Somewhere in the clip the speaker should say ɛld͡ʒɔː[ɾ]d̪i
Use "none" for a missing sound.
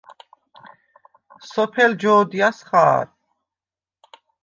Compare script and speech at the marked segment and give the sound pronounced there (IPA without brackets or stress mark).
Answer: none